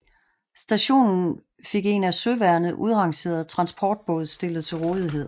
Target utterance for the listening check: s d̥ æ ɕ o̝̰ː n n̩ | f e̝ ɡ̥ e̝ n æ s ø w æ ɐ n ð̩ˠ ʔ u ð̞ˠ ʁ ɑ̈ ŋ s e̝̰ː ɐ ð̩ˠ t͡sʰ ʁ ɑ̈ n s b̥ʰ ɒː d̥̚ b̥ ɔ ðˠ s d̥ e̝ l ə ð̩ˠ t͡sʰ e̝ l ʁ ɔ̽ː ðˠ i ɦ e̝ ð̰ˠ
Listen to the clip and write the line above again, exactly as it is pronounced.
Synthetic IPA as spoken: s d̥ æ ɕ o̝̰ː n n̩ | f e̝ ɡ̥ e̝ n æ s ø ʋ æ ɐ n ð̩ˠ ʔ u ð̞ˠ ʁ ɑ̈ ŋ s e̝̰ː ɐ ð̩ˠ t͡sʰ ʁ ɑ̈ n s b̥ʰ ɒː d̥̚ b̥ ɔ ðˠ s d̥ e̝ l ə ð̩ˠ t͡sʰ e̝ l ʁ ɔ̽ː ðˠ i ɦ e̝ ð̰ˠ